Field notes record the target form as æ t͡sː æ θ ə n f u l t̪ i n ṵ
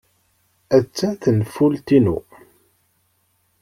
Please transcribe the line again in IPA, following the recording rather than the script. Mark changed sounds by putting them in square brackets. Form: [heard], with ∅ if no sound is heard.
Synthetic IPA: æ t͡sː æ θ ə n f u l t̪ i n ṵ